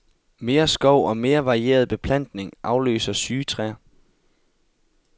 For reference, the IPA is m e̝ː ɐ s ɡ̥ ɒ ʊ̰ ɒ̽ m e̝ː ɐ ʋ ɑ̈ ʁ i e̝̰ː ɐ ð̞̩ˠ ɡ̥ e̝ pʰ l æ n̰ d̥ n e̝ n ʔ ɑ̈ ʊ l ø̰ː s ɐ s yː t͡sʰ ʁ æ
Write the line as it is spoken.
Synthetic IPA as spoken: m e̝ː ɐ s ɡ̥ ɒ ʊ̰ ɒ̽ m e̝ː ɐ ʋ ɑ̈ ʁ i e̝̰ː ɐ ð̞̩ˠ b̥ e̝ pʰ l æ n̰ d̥ n e̝ ŋ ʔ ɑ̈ ʊ l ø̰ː s ɐ s yː t͡sʰ ʁ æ